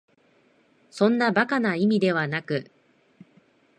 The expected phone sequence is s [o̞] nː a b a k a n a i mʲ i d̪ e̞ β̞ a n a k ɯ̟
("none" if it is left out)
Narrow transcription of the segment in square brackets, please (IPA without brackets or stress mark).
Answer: õ̞